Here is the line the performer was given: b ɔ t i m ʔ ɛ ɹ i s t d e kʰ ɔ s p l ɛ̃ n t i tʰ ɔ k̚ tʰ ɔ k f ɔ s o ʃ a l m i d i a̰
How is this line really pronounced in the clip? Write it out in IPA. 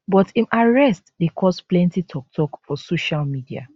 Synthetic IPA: b ɔ t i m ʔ a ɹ ɛ s t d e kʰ ɔ s p l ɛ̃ n t i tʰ ɔ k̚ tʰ ɔ k f ɔ s o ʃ a l m i d i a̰